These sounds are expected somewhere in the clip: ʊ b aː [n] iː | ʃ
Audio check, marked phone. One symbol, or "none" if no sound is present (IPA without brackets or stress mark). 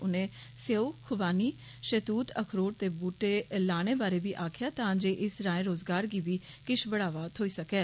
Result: n